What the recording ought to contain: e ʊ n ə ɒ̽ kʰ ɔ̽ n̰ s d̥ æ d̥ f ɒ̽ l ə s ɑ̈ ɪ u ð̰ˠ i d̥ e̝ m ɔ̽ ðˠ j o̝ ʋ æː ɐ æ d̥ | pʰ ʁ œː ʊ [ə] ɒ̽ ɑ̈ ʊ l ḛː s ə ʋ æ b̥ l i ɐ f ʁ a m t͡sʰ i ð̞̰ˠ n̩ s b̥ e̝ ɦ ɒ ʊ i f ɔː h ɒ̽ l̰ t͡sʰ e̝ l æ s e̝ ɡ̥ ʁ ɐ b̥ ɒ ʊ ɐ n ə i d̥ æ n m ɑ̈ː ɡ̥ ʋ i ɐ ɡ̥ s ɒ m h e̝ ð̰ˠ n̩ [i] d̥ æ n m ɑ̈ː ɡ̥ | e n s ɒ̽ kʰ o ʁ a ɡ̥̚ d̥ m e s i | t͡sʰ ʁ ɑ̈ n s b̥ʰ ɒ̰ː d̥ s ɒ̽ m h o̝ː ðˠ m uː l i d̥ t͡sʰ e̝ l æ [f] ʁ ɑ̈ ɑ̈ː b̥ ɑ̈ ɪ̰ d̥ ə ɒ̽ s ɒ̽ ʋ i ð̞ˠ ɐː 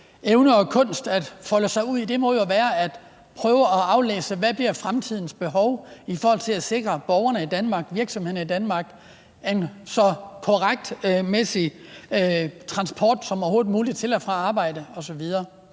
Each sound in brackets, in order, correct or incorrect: correct, correct, correct

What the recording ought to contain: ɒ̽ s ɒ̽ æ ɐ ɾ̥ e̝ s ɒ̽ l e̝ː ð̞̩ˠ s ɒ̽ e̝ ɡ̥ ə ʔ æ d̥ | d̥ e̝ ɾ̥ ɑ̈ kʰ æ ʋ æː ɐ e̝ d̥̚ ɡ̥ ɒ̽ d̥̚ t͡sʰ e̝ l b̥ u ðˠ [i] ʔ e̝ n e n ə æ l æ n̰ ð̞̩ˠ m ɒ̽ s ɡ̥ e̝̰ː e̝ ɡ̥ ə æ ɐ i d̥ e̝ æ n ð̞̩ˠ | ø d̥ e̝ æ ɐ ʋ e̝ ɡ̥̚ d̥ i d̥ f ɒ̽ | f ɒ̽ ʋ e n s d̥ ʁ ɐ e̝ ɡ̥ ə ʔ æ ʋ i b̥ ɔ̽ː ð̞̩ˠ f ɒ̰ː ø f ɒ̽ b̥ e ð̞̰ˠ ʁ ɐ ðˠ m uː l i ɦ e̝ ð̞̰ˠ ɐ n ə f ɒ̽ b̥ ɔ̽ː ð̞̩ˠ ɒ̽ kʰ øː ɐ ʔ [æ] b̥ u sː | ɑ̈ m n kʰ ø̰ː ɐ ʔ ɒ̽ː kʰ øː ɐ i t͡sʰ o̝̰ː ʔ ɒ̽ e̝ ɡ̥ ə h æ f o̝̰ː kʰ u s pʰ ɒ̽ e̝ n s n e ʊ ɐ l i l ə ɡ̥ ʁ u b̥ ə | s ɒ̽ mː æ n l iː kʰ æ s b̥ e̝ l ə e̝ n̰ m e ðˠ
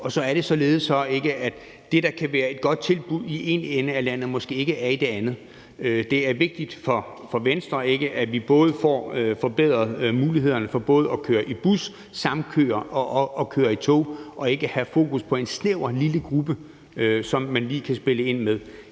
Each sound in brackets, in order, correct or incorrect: correct, incorrect

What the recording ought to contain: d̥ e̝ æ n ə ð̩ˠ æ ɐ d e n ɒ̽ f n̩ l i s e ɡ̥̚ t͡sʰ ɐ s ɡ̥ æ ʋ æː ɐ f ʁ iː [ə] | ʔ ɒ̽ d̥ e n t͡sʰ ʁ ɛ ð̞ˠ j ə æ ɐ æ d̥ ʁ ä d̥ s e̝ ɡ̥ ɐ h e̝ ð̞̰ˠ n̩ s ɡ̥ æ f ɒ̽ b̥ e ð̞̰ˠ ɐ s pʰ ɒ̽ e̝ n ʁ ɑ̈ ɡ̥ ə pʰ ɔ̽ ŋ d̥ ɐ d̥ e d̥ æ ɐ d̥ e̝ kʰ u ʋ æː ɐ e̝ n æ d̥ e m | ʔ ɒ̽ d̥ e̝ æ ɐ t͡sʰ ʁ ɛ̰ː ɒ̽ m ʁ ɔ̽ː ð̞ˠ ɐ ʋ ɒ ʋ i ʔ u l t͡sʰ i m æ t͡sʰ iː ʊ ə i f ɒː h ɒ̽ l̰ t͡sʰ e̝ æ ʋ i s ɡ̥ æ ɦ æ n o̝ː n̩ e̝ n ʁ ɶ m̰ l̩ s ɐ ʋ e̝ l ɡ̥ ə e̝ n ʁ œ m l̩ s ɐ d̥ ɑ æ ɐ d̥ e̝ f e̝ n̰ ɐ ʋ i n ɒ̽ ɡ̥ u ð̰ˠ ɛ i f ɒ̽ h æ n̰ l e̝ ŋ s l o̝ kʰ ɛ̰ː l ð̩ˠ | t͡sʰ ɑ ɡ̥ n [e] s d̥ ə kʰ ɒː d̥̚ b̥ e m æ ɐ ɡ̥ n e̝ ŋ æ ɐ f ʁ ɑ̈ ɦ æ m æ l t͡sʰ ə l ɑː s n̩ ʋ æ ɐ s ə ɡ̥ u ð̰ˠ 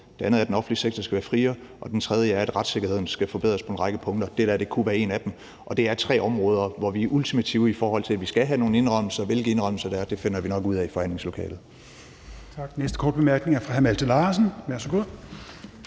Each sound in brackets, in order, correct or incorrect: incorrect, correct

